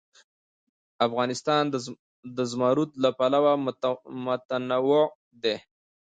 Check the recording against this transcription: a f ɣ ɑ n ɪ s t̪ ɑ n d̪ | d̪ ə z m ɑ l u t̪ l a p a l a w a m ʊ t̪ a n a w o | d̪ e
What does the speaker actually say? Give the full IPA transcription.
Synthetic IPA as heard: a f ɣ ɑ n ɪ s t̪ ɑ n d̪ | d̪ ə z m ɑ ɾ u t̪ l a p a l a w a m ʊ t̪ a n a w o | d̪ e